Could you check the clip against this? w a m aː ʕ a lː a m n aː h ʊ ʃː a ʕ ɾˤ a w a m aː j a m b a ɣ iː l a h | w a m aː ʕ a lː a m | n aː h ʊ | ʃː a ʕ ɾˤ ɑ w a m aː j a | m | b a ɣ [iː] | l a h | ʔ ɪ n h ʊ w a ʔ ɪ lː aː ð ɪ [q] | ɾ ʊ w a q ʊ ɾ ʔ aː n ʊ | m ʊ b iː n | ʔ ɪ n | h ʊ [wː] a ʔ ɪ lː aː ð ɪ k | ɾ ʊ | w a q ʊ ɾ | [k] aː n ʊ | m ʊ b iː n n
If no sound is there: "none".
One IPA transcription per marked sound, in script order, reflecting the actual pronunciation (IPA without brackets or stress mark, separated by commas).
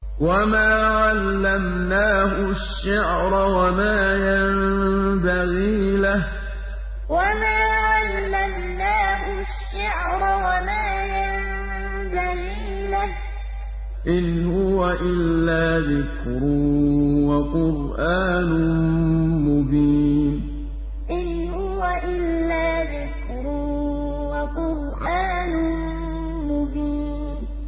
iː, k, w, ʔ